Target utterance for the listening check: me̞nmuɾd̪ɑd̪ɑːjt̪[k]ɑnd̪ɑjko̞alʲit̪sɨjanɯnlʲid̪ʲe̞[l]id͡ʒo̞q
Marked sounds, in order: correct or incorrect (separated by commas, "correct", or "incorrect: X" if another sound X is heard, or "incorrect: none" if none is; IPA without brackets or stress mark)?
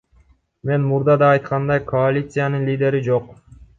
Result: incorrect: q, incorrect: ɾ